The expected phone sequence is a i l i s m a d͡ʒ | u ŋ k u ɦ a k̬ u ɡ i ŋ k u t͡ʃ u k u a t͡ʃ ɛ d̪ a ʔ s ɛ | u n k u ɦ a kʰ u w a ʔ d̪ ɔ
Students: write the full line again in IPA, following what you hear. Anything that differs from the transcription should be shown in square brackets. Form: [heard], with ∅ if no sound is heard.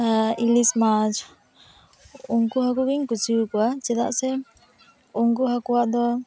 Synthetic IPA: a i l i s m a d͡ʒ | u ŋ k u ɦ a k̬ u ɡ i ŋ k u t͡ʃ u k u a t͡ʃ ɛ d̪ a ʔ s ɛ | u [ŋ] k u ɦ a [k] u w a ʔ d̪ ɔ